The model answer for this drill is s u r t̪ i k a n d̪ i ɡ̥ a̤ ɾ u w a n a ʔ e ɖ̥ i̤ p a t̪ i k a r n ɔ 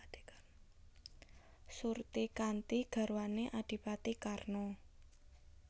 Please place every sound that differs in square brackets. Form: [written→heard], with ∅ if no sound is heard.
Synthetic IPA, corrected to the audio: s u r t̪ i k a n [d̪→t̪] i ɡ̥ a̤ ɾ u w a n [a→e] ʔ [e→a] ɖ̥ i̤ p a t̪ i k a r n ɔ